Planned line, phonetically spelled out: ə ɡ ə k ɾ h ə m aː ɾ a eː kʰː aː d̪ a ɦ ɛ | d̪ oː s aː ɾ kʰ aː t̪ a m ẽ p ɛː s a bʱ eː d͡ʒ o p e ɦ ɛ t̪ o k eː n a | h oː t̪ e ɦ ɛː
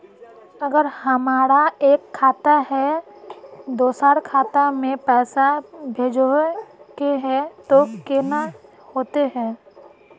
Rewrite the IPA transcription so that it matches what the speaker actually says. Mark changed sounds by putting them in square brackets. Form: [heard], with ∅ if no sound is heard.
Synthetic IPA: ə ɡ ə [∅] ɾ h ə m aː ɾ a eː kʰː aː [t̪] a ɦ ɛ | d̪ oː s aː ɾ kʰ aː t̪ a m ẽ p ɛː s a bʱ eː d͡ʒ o [k] e ɦ ɛ t̪ o k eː n a | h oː t̪ e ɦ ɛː